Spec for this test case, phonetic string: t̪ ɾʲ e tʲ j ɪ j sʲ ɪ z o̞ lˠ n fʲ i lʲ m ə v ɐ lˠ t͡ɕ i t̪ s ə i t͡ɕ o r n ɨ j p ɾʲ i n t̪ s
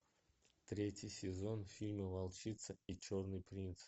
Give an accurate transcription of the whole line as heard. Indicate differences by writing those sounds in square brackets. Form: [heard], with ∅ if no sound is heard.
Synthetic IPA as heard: t̪ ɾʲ e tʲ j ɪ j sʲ ɪ z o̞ [∅] n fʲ i lʲ m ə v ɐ lˠ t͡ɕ i t̪ s ə i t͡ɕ o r n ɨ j p ɾʲ i n t̪ s